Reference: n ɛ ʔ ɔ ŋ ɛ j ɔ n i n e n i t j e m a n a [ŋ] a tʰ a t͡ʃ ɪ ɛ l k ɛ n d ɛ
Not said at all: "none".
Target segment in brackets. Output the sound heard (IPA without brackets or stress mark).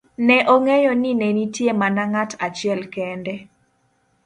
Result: ŋ